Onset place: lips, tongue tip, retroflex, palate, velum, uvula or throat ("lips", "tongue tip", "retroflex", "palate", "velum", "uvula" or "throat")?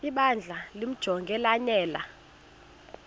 lips